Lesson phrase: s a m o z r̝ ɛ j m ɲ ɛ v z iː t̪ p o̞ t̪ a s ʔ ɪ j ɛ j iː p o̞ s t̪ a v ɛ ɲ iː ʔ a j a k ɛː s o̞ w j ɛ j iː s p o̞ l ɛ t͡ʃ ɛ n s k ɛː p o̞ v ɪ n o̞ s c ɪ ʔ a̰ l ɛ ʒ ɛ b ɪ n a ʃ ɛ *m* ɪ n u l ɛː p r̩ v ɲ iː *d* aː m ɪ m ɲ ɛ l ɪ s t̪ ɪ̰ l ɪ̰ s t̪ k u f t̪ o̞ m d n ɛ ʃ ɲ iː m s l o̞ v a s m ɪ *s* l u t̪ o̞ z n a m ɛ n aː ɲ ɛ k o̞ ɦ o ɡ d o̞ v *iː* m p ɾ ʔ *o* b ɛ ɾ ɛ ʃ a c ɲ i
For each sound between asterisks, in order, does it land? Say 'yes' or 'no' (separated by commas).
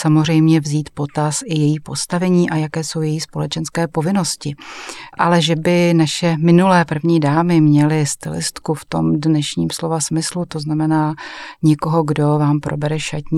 yes, yes, yes, no, yes